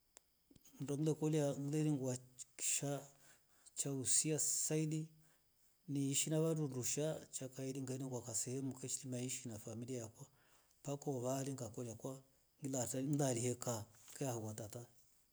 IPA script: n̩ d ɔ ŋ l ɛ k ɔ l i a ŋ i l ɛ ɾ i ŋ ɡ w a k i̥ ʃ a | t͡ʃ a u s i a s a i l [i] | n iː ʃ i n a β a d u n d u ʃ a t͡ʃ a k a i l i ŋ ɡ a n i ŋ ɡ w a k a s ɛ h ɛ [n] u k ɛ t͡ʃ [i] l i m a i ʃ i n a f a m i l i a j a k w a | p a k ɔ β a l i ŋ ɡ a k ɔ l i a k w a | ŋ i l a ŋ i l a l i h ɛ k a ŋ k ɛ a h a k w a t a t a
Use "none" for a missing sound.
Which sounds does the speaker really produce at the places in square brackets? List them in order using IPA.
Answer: i, m, i

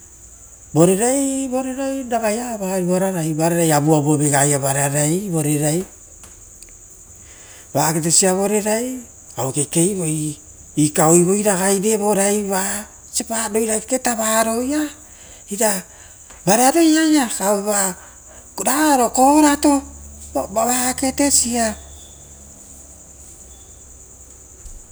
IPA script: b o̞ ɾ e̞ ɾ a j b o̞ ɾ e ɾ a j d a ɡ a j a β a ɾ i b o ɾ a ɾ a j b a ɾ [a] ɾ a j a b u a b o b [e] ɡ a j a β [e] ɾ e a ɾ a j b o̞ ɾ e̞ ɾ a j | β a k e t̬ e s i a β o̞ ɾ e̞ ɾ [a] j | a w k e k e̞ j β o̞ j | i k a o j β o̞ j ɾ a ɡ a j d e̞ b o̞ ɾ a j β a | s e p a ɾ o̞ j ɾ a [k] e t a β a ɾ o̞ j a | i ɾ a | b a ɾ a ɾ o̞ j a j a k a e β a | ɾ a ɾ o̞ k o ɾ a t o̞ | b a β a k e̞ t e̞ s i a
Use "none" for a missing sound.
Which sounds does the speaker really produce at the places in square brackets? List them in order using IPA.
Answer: e, e, a, a, k

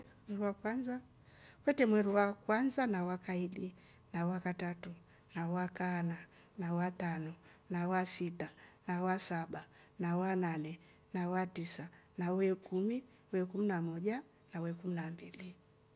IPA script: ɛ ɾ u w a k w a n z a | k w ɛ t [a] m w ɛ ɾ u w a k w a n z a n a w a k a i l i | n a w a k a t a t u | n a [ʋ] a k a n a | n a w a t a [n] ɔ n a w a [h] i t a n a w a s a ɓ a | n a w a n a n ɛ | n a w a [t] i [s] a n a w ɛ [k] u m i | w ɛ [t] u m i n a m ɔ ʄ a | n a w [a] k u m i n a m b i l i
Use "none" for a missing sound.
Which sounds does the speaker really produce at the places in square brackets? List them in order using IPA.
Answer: ɛ, w, n, s, t, s, k, k, ɛ

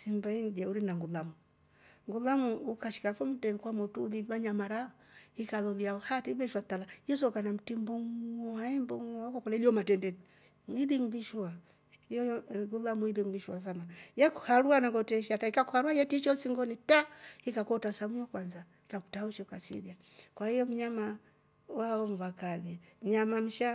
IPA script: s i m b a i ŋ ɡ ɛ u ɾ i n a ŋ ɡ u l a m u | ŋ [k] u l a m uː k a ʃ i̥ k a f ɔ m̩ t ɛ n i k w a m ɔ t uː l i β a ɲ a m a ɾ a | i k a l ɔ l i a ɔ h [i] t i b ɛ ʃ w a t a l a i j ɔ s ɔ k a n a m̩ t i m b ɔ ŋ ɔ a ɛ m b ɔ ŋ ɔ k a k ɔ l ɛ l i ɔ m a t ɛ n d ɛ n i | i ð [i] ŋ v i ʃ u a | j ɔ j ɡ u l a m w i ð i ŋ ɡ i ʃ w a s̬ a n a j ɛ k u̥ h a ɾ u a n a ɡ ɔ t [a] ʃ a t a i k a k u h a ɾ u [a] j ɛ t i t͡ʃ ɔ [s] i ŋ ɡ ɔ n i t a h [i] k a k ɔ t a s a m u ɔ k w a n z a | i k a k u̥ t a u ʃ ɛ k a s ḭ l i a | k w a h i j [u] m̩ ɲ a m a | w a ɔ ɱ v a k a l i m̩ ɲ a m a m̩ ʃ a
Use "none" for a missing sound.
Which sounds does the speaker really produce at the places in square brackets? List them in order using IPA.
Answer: ɡ, a, i, ɛ, a, s, i, ɔ

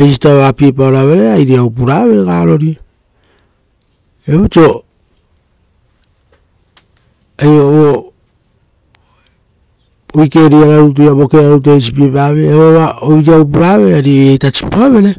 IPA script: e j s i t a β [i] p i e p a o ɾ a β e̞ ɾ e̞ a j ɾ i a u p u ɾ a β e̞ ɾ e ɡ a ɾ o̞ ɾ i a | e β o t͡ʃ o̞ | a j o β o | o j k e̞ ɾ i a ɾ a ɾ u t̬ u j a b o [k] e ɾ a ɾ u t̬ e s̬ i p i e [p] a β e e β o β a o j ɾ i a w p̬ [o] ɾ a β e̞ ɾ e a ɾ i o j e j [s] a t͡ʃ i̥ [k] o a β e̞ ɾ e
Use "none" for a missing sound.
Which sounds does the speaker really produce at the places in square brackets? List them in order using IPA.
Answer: a, k, p, u, t, p

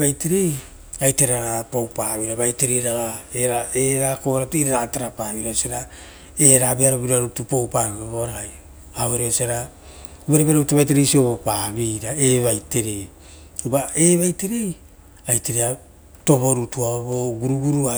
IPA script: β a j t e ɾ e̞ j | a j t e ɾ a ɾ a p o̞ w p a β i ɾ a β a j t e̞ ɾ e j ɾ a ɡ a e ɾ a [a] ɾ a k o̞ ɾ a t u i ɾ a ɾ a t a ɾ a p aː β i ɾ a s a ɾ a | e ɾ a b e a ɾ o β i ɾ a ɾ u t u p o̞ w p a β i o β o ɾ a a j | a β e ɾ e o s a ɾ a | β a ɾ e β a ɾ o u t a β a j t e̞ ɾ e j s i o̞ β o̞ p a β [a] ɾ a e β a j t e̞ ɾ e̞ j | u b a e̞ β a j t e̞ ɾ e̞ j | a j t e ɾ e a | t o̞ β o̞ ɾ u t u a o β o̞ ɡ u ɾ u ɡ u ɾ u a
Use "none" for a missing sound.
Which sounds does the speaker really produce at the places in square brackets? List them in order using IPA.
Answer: e, i

